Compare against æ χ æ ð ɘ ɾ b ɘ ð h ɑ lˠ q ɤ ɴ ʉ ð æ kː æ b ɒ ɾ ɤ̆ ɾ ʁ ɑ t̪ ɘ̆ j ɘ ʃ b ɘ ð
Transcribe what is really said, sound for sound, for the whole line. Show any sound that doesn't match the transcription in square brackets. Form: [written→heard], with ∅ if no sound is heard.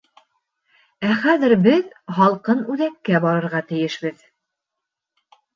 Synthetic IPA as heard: æ χ æ ð ɘ ɾ b ɘ ð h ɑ lˠ q ɤ [ɴ→n] ʉ ð æ kː æ b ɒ ɾ ɤ̆ ɾ ʁ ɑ t̪ ɘ̆ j ɘ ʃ b ɘ ð